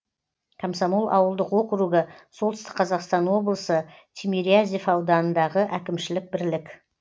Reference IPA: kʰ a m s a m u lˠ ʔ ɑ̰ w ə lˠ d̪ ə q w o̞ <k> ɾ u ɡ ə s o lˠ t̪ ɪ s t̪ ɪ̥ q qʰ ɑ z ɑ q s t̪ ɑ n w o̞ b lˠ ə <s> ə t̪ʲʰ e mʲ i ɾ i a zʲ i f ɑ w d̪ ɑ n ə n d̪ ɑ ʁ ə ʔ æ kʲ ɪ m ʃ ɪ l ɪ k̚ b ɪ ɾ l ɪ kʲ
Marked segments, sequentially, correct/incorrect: incorrect: q, correct

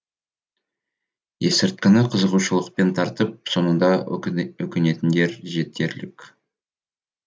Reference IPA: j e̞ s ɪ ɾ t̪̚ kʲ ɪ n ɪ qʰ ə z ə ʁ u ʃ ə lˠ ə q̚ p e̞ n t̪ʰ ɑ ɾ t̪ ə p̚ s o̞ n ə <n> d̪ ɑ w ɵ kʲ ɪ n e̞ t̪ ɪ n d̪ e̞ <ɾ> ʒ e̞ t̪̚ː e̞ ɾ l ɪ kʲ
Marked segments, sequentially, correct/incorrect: correct, correct

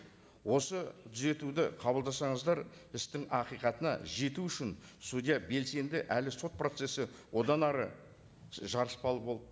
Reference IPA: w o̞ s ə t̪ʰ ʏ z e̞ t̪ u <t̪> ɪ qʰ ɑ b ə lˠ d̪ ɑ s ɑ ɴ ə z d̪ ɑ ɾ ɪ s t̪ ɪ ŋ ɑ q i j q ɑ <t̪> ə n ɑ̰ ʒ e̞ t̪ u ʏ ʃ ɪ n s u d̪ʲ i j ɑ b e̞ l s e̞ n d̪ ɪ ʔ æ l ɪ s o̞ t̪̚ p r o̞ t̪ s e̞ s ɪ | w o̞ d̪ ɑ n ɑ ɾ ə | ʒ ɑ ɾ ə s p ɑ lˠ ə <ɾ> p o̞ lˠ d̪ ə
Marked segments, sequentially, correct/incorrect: incorrect: d̪, correct, incorrect: none

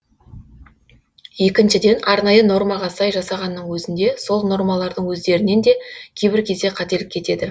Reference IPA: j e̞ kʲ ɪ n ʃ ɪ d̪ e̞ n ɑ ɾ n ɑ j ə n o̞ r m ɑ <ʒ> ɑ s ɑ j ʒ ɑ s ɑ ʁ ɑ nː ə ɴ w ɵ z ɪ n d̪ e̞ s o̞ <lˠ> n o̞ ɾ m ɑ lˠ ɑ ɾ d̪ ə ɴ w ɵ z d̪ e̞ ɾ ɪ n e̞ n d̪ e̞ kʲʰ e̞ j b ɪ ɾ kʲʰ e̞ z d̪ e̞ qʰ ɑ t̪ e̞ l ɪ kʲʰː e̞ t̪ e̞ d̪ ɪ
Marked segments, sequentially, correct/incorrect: incorrect: ʁ, correct

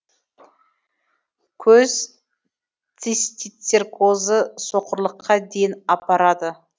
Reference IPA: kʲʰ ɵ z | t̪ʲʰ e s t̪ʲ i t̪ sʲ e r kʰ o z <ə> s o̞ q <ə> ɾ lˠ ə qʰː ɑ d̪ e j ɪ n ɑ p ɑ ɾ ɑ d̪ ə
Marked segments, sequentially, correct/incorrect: correct, correct

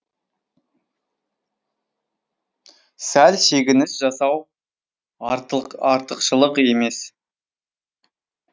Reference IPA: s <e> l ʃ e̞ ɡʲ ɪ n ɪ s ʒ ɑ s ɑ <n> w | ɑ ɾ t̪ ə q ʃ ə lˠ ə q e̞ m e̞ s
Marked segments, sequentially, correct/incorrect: incorrect: æ, incorrect: none

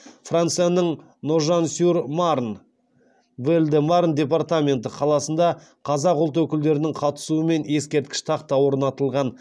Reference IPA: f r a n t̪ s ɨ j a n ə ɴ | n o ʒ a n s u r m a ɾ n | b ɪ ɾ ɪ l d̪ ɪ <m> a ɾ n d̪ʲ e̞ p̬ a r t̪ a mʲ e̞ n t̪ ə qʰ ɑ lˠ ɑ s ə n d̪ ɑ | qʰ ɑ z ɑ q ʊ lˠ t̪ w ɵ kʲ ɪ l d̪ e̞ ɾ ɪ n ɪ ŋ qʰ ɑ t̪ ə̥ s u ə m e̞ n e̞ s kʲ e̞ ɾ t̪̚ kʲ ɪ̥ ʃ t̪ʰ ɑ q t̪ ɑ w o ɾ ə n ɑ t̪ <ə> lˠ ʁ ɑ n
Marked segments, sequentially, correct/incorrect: correct, correct

